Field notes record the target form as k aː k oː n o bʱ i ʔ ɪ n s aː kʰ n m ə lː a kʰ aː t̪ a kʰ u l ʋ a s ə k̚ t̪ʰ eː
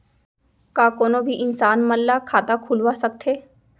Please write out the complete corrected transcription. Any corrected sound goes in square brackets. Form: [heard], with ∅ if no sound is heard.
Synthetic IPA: k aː k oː n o bʱ i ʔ ɪ n s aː [∅] n m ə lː a kʰ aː t̪ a kʰ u l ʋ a s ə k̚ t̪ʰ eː